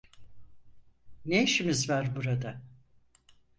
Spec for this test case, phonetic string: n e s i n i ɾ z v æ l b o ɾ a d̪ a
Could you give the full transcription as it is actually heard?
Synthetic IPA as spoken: n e ʃ i m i z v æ ɾ b u ɾ a d̪ a